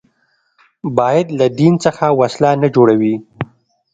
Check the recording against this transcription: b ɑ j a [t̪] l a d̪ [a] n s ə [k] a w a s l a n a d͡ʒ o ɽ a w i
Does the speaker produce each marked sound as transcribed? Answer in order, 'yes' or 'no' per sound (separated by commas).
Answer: no, no, no